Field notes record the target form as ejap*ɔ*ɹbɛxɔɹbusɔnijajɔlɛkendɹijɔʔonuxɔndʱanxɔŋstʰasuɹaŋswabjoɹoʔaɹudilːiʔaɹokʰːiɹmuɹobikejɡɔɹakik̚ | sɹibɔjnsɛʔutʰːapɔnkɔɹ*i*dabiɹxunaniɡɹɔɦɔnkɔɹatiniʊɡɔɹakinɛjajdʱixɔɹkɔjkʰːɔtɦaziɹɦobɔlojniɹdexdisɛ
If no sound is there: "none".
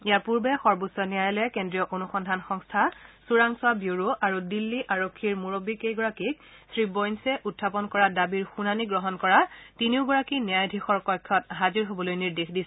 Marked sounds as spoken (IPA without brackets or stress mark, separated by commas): u, a